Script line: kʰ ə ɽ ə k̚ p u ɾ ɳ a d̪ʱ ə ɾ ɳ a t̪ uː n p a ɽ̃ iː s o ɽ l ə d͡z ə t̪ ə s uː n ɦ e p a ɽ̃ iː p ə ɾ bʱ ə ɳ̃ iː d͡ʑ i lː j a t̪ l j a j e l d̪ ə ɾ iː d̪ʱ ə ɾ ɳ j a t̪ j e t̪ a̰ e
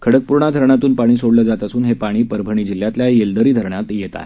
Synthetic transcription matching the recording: kʰ ə ɽ ə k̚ p u ɾ ɳ a d̪ʱ ə ɾ ɳ a t̪ uː n p a ɽ̃ iː s o ɽ l ə d͡z a t̪ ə s uː n ɦ e p a ɽ̃ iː p ə ɾ bʱ ə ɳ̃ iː d͡ʑ i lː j a t̪ l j a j e l d̪ ə ɾ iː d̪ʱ ə ɾ ɳ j a t̪ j e t̪ a̰ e

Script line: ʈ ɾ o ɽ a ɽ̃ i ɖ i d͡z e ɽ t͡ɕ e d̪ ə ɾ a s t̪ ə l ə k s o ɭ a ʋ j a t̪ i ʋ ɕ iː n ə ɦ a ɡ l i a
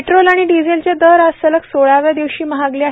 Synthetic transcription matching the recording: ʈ ɾ o l a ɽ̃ i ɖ i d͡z e l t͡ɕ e d̪ ə ɾ a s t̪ ə l ə k s o ɭ a ʋ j a d̪ i ʋ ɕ iː m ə ɦ a ɡ l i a

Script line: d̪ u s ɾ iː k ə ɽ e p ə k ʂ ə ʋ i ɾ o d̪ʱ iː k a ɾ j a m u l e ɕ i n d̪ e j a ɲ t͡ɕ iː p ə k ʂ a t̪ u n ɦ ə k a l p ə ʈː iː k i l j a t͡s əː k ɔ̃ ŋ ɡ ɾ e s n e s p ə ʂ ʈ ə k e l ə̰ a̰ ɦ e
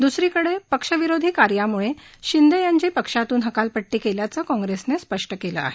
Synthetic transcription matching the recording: d̪ u s ɾ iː k ə ɽ e p ə k ʂ ə ʋ i ɾ o d̪ʱ iː k a ɾ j a m u ɭ e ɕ i n d̪ e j a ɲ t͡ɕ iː p ə k ʂ a t̪ uː n ɦ ə k a l p ə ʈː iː k e l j a t͡s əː k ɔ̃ ŋ ɡ ɾ e s n e s p ə ʂ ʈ ə k e l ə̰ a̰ ɦ e

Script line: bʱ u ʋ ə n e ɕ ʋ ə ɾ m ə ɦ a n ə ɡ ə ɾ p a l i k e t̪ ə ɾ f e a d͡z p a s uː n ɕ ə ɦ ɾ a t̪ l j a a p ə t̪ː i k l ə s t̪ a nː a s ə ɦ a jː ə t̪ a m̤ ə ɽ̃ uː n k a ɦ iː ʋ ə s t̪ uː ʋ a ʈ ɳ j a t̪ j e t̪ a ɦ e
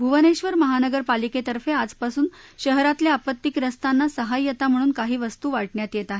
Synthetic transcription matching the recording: bʱ u ʋ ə n e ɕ ʋ ə ɾ m ə ɦ a n ə ɡ ə ɾ p a l i k e t̪ ə ɾ f e a d͡z p a s uː n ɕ ə ɦ ɾ a t̪ l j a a p ə t̪ː i k ɾ ə s t̪ a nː a s ə ɦ a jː ə t̪ a m̤ ə ɽ̃ uː n k a ɦ iː ʋ ə s t̪ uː ʋ a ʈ ɳ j a t̪ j e t̪ a ɦ e

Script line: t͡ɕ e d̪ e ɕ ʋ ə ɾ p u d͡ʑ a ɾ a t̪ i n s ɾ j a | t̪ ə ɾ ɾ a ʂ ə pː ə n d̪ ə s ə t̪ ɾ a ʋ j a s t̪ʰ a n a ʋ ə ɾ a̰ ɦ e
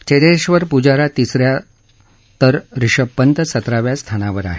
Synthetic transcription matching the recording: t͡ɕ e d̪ e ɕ ʋ ə ɾ p u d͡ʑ a ɾ a t̪ i s ɾ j a | t̪ ə ɾ ɾ i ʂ ə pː ə n t̪ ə s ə t̪ ɾ a ʋ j a s t̪ʰ a n a ʋ ə ɾ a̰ ɦ e

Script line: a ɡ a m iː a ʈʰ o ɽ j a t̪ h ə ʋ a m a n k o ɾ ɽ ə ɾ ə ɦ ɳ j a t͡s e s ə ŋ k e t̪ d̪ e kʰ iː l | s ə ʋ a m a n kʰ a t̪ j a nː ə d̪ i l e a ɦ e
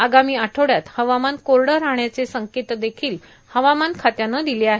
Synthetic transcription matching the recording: a ɡ a m iː a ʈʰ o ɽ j a t̪ h ə ʋ a m a n k o ɾ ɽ ə ɾ a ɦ ɳ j a t͡s e s ə ŋ k e t̪ d̪ e kʰ iː l | h ə ʋ a m a n kʰ a t̪ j a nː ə d̪ i l e a ɦ e

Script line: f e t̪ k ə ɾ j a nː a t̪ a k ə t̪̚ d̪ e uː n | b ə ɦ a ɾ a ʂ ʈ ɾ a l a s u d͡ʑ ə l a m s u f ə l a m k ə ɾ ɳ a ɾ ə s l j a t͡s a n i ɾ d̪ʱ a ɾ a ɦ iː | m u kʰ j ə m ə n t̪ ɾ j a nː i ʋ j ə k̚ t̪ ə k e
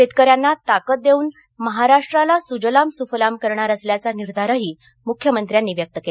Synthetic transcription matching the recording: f e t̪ k ə ɾ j a nː a t̪ a k ə t̪̚ d̪ e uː n | m ə ɦ a ɾ a ʂ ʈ ɾ a l a s u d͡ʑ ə l a m s u f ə l a m k ə ɾ ɳ a ɾ ə s l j a t͡s a n i ɾ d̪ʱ a ɾ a ɦ iː | m u kʰ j ə m ə n t̪ ɾ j a nː i ʋ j ə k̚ t̪ ə k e

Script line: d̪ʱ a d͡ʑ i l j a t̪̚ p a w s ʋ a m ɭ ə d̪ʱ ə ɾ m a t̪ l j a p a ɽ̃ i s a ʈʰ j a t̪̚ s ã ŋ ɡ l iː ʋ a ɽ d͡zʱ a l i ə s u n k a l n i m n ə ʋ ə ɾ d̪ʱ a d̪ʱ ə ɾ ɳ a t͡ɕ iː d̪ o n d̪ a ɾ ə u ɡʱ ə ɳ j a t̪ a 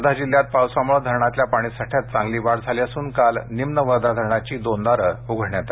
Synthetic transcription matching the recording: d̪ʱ a d͡ʑ i l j a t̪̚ p a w s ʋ a m ɭ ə d̪ʱ ə ɾ ɳ a t̪ l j a p a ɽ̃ i s a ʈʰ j a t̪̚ t͡s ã ŋ ɡ l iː ʋ a ɽ d͡zʱ a l i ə s uː n k a l n i m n ə ʋ ə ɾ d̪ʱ a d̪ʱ ə ɾ ɳ a t͡ɕ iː d̪ o n d̪ a ɾ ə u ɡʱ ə ɳ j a t̪ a

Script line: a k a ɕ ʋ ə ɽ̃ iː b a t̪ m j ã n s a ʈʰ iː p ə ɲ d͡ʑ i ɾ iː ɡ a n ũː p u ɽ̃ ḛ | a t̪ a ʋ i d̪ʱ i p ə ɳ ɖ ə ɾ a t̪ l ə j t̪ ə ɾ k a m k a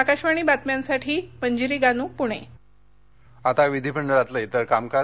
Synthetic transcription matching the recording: a k a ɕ ʋ a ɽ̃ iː b a t̪ m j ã n s a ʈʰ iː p ə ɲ d͡ʑ i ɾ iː ɡ a n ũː p u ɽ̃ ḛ | a t̪ a ʋ i d̪ʱ i p ə ɳ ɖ ə ɾ a t̪ l ə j t̪ ə ɾ k a m k a

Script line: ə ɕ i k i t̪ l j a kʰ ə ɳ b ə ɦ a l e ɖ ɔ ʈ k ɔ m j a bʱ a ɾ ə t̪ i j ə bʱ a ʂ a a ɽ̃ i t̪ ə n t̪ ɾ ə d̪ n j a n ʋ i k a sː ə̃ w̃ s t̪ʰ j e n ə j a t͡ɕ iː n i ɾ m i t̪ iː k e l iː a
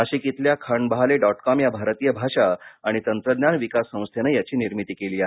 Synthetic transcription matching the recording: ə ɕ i k i t̪ l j a kʰ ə ɳ b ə ɦ a l e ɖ ɔ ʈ k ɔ m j a bʱ a ɾ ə t̪ i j ə bʱ a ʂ a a ɽ̃ i t̪ ə n t̪ ɾ ə d̪ n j a n ʋ i k a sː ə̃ w̃ s t̪ʰ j e n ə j a t͡ɕ iː n i ɾ m i t̪ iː k e l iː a

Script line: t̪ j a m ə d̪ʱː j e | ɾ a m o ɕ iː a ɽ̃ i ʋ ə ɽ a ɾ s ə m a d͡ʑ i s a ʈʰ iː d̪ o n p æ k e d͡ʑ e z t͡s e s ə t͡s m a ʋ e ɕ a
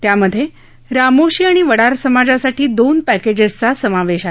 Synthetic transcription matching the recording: t̪ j a m ə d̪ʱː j e | ɾ a m o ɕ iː a ɽ̃ i ʋ ə ɽ a ɾ s ə m a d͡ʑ a s a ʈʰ iː d̪ o n p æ k e d͡ʑ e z t͡s a s ə m a ʋ e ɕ a

